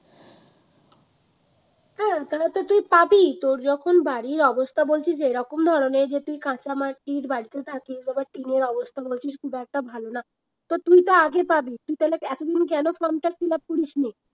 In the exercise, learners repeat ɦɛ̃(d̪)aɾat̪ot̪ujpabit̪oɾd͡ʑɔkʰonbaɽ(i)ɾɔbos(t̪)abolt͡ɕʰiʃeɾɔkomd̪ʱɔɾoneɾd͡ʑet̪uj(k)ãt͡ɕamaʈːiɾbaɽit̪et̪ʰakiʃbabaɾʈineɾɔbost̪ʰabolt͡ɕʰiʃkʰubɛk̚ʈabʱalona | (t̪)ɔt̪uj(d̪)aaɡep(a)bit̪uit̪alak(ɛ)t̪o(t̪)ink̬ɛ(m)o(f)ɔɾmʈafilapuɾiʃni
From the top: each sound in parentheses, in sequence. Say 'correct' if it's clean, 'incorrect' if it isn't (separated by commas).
incorrect, correct, incorrect, correct, correct, incorrect, correct, correct, incorrect, incorrect, correct